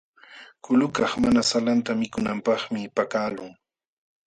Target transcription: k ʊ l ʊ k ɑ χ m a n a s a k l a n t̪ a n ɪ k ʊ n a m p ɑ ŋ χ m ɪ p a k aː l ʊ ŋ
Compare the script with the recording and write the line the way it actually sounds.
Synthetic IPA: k ʊ l ʊ k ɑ χ m a n a s a l a n t̪ a m ɪ k ʊ n a m p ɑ χ m ɪ p a k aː l ʊ ŋ